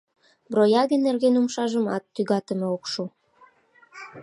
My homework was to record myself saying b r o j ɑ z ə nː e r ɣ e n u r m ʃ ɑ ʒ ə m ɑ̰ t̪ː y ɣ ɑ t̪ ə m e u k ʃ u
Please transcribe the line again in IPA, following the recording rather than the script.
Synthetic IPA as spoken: b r o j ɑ ɣ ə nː e r ɣ e n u m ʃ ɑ ʒ ə m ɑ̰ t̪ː y ɣ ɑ t̪ ə m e o k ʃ u